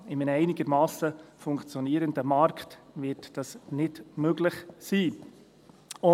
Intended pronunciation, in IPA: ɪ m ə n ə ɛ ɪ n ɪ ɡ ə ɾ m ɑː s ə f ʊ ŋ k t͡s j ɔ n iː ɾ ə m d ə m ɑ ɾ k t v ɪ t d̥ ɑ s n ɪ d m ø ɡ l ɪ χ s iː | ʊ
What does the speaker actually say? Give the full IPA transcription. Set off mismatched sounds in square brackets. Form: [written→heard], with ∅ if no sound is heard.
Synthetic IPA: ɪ m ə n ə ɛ ɪ n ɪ ɡ ə ɾ m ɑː s ə f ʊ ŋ k t͡s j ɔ n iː ɾ ə [m→n] d ə m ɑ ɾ k t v ɪ t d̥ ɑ s n ɪ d m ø ɡ l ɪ χ s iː | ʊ